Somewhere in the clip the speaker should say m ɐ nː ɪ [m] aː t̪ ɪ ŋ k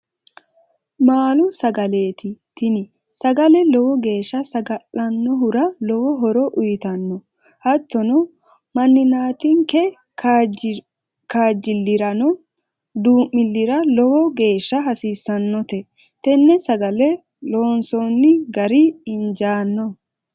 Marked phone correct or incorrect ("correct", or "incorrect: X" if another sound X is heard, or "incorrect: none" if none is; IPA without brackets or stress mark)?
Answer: incorrect: n